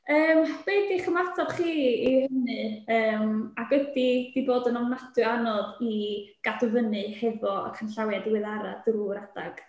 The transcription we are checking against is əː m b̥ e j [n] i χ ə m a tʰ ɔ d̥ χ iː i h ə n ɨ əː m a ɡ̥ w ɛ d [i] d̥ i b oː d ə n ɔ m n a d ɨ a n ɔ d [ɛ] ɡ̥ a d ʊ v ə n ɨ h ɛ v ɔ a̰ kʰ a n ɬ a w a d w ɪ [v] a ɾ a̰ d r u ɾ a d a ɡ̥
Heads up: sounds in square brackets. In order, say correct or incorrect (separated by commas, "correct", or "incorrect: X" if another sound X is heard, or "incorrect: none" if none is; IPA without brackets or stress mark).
incorrect: d, correct, incorrect: i, incorrect: ð